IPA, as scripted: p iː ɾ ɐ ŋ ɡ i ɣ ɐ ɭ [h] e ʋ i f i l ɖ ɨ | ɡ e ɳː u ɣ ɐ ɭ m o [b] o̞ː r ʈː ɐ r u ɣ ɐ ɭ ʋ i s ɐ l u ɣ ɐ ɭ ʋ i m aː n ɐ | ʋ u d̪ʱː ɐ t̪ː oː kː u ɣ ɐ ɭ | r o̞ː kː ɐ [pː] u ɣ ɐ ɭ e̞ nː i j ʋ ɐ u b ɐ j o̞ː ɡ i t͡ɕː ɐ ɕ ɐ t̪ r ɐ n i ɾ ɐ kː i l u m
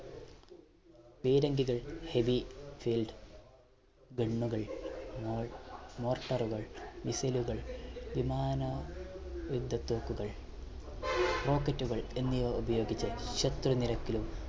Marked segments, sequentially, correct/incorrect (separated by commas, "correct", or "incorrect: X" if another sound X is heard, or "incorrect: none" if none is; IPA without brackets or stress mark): correct, incorrect: m, incorrect: tː